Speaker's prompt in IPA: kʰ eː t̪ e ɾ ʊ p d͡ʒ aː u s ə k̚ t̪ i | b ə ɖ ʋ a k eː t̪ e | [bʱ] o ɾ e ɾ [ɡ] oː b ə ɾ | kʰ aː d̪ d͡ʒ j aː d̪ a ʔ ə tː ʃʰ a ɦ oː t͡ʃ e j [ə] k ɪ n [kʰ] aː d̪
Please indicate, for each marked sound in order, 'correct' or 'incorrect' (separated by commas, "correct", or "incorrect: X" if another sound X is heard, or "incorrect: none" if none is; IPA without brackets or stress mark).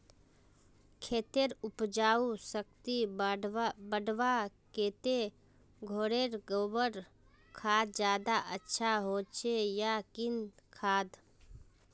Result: incorrect: ɡʱ, correct, incorrect: a, correct